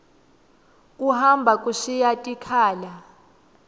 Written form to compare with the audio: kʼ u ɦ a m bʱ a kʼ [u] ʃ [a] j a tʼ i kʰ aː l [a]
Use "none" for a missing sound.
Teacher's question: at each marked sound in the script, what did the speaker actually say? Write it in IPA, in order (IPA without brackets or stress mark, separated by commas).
u, i, a